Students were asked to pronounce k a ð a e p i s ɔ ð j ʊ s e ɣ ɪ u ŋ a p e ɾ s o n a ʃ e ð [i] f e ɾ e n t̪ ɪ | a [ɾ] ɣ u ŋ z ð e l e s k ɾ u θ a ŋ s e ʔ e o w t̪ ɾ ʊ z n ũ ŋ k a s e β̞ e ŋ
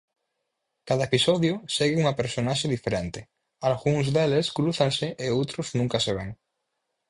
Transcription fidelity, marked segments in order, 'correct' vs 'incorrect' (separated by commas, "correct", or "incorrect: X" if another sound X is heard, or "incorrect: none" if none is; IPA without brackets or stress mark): correct, incorrect: l